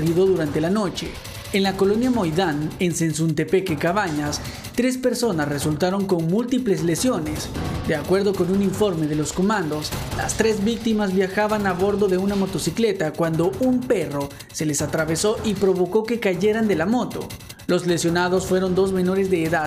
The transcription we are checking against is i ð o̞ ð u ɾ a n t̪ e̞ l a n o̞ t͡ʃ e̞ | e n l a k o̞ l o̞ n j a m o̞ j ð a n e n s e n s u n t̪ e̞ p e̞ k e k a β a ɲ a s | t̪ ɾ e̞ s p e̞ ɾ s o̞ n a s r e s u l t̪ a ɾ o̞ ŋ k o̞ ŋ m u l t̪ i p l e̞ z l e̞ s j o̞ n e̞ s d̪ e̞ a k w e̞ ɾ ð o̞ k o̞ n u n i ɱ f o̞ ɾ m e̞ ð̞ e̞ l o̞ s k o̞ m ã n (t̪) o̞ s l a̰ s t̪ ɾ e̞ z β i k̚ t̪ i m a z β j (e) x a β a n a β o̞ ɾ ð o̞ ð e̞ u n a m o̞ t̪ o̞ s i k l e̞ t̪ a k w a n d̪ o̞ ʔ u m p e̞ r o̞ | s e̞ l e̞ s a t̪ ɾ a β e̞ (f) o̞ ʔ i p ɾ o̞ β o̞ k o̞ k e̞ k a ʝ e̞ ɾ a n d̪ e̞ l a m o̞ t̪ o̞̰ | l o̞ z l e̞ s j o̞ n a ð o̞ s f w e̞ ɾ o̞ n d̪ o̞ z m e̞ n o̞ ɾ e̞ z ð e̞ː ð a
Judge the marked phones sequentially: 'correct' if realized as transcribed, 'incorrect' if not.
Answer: incorrect: d̪, incorrect: a, incorrect: s

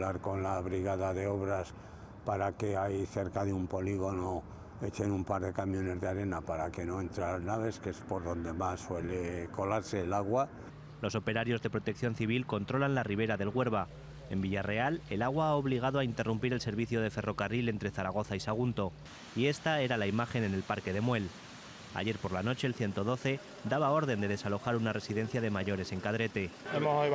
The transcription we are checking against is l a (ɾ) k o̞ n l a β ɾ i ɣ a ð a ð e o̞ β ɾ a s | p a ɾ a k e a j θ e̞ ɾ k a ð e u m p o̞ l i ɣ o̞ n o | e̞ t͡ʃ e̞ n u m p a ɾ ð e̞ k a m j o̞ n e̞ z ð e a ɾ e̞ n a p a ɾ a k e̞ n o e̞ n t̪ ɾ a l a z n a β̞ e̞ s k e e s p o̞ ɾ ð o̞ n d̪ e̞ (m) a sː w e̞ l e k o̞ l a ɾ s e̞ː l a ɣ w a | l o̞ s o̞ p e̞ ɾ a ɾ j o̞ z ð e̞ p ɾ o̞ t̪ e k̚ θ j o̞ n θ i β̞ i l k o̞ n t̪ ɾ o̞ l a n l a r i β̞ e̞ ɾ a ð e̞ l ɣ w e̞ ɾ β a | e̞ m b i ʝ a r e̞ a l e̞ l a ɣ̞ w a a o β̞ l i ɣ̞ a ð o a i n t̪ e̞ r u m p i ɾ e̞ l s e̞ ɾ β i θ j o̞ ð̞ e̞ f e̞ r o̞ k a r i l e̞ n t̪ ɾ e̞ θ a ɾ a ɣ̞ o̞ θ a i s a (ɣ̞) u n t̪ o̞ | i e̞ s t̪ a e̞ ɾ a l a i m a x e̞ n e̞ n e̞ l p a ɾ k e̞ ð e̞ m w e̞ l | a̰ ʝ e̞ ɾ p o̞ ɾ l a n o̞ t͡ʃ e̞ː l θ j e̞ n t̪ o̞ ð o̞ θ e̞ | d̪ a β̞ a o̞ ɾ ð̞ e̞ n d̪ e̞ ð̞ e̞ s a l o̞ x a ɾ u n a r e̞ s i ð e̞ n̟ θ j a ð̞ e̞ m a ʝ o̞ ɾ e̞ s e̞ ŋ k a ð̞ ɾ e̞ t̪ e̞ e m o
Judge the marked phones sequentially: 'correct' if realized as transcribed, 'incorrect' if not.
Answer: correct, correct, correct

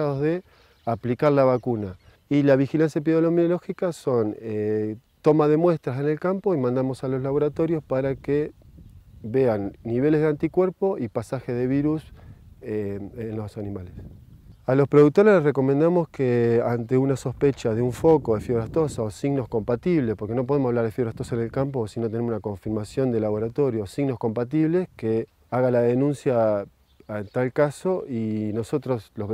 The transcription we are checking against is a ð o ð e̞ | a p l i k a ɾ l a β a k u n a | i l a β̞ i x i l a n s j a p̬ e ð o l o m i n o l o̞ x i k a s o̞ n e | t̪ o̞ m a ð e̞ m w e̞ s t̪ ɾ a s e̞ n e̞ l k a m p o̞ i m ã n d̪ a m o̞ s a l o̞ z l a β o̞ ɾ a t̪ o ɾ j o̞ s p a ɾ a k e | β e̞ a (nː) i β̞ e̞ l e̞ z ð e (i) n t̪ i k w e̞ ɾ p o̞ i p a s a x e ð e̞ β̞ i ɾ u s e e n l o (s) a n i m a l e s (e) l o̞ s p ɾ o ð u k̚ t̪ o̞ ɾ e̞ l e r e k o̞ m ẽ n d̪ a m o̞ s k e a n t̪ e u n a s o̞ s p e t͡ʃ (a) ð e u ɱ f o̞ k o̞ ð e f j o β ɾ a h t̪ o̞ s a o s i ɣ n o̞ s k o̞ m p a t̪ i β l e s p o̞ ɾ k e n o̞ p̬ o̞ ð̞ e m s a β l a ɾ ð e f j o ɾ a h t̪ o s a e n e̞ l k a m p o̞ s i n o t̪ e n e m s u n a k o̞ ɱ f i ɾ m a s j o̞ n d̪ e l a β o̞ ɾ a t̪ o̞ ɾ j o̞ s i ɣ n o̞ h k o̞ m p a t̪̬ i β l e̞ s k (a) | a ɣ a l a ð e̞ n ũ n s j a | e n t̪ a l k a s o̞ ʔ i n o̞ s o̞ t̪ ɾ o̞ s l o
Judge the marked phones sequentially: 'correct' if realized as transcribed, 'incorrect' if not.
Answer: correct, incorrect: a, correct, incorrect: a, correct, incorrect: e

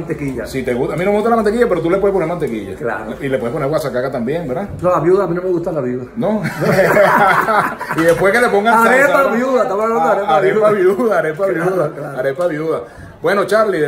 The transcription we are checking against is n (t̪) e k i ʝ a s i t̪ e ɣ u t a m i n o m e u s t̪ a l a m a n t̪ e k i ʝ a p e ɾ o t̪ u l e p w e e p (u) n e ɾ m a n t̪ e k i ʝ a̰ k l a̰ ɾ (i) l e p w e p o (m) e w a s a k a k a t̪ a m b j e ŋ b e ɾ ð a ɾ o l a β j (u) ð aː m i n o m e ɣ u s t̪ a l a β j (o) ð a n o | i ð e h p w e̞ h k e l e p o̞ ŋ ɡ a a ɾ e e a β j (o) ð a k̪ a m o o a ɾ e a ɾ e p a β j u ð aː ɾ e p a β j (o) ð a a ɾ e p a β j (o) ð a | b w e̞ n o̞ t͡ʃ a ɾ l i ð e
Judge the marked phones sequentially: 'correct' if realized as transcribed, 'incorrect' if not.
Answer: correct, incorrect: o, correct, incorrect: n, correct, incorrect: u, incorrect: u, incorrect: u, incorrect: u

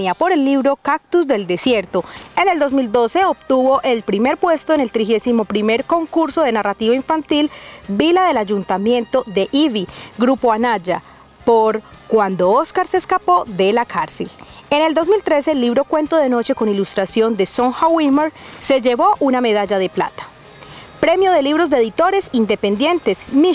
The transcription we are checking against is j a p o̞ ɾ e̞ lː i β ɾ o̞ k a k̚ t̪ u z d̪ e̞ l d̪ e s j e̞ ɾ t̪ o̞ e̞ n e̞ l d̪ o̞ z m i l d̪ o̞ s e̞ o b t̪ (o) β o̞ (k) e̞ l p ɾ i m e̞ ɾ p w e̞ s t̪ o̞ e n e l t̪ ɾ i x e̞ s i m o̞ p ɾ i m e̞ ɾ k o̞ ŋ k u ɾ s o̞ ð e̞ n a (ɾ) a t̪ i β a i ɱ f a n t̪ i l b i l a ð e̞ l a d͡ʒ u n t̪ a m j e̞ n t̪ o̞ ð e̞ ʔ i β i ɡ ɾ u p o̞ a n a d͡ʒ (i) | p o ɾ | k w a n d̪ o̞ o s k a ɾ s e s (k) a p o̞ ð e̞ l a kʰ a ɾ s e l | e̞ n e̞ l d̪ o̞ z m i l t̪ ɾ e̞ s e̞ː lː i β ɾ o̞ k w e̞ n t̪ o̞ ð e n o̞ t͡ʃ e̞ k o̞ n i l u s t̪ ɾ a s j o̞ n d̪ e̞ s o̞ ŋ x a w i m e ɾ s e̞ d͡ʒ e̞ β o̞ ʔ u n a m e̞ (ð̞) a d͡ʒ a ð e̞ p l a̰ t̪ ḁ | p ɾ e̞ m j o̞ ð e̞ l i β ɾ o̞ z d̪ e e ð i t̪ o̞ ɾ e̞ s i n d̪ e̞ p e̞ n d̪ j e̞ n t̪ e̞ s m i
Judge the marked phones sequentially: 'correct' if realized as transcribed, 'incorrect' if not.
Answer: incorrect: u, incorrect: ʔ, incorrect: r, incorrect: a, correct, correct

